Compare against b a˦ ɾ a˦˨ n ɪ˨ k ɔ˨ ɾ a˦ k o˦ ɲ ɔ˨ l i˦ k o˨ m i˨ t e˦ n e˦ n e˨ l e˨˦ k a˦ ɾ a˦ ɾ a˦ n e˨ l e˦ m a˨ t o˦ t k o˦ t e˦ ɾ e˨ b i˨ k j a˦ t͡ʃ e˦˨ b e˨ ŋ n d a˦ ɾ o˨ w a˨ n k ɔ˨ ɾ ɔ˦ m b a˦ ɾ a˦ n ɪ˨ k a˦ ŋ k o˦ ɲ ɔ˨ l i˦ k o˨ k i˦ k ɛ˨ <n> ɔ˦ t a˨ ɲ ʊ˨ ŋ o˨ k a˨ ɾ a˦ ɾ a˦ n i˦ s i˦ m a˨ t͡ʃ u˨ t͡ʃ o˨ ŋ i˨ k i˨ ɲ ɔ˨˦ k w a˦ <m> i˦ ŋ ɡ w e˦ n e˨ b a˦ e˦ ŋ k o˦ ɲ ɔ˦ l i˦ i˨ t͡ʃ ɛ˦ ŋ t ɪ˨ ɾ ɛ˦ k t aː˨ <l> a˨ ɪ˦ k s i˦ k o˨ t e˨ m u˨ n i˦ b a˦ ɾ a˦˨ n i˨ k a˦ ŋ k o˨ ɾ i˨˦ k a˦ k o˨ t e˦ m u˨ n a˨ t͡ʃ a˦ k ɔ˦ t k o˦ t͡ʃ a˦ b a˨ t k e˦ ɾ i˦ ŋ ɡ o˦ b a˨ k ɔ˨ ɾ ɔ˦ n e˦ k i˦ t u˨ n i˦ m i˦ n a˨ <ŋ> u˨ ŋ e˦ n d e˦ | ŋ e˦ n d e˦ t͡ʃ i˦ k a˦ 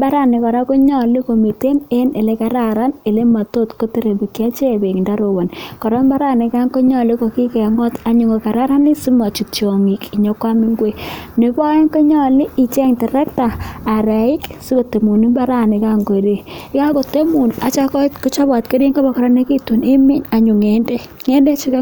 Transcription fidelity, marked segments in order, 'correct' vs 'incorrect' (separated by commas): incorrect, correct, incorrect, incorrect